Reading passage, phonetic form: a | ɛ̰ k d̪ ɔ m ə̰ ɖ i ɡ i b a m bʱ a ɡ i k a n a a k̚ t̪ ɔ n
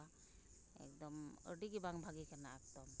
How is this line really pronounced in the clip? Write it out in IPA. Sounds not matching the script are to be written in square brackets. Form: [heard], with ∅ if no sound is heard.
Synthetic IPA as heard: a | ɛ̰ k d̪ ɔ m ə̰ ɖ i ɡ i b a [ŋ] bʱ a ɡ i k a n a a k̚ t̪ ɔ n